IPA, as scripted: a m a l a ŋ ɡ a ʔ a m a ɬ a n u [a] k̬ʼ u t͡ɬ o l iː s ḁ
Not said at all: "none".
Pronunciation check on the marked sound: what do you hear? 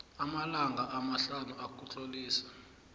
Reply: a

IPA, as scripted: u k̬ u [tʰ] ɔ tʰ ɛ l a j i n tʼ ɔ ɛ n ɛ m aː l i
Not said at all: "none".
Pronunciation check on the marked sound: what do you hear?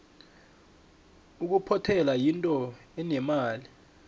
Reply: pʰ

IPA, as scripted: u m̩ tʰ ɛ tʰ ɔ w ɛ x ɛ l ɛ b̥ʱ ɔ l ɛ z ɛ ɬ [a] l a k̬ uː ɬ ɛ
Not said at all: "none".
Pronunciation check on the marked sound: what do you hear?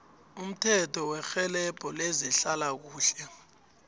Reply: a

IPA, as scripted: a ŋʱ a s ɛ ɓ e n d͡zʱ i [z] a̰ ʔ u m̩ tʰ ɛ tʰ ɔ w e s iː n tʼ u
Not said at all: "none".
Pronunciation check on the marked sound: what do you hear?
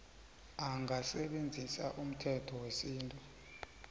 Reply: s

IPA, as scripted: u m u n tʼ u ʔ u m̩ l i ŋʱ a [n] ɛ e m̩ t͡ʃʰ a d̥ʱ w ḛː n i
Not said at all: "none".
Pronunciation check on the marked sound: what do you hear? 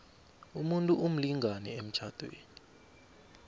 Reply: n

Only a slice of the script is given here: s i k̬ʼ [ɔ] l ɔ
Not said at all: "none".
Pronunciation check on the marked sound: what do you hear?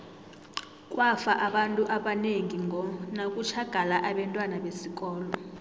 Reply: ɔː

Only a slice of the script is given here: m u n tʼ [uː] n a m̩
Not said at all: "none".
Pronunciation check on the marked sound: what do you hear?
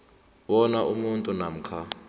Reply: u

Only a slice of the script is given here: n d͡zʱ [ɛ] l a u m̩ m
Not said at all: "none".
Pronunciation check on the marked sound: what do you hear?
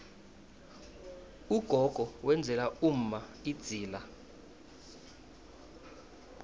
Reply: ɛ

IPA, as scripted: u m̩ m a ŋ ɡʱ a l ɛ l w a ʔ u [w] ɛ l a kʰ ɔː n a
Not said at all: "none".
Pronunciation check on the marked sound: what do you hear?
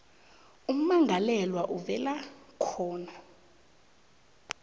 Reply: v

